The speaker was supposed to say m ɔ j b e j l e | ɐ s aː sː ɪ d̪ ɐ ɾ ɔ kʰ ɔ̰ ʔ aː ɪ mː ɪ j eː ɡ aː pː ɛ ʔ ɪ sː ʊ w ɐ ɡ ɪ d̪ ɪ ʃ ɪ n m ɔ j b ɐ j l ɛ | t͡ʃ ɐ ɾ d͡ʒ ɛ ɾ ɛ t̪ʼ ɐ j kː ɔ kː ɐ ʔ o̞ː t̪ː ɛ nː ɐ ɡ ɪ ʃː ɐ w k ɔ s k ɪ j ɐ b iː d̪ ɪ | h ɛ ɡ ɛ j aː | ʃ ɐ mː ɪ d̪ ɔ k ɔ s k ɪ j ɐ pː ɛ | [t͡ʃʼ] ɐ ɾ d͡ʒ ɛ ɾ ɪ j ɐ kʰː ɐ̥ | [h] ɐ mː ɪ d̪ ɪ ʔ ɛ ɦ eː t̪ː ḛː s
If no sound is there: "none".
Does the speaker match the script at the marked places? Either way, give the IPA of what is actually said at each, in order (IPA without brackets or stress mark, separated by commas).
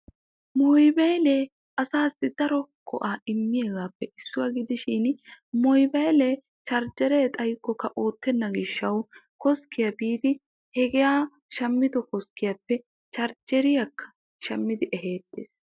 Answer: t͡ʃ, ʃ